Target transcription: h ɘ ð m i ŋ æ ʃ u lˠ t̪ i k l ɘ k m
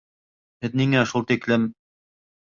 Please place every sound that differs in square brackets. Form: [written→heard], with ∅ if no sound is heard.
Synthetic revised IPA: h ɘ ð [m→n] i ŋ æ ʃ u lˠ t̪ i k l ɘ [k→∅] m